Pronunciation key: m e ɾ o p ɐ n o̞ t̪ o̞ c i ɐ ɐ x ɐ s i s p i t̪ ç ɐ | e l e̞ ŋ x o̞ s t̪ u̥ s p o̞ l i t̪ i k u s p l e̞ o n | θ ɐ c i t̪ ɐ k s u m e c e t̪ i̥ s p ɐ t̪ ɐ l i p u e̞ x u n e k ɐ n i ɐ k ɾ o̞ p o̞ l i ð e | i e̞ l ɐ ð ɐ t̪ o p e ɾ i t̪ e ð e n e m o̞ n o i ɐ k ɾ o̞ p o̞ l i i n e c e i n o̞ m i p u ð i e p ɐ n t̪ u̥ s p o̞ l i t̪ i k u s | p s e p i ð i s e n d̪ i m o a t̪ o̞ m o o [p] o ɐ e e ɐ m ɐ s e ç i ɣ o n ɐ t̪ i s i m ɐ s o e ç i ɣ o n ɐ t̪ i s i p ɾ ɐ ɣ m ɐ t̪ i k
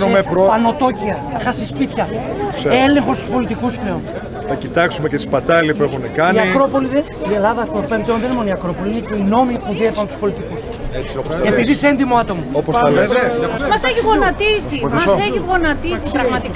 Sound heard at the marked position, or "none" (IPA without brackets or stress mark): p